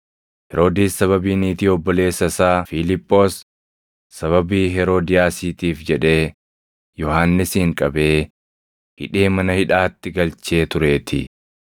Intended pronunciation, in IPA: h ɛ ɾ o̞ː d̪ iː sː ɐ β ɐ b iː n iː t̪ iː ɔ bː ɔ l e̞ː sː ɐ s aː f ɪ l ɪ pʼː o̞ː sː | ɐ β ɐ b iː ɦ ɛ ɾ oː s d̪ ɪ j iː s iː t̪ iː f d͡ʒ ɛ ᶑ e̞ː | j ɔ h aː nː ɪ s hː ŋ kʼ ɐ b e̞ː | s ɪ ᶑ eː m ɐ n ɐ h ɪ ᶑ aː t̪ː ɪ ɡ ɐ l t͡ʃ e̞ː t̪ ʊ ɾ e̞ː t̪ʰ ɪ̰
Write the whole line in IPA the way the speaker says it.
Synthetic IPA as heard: h ɛ ɾ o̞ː d̪ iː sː ɐ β ɐ b iː n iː t̪ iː ɔ bː ɔ l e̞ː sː ɐ s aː f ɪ l ɪ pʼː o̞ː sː | ɐ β ɐ b iː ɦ ɛ ɾ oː d̪ ɪ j aː s iː t̪ iː f d͡ʒ ɛ ᶑ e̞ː | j ɔ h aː nː ɪ s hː ŋ kʼ ɐ b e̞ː | h ɪ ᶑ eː m ɐ n ɐ h ɪ ᶑ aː t̪ː ɪ ɡ ɐ l t͡ʃ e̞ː t̪ ʊ ɾ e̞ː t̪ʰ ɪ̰